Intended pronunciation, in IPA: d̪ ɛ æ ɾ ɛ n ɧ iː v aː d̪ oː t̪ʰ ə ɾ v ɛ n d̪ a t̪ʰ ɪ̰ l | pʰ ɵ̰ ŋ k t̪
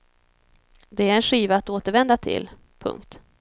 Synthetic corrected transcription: d̪ ɛ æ ɾ ɛ n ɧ iː v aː t̪ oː t̪ ə ɾ v ɛ n d̪ a t̪ʰ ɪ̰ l | pʰ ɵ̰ ŋ k t̪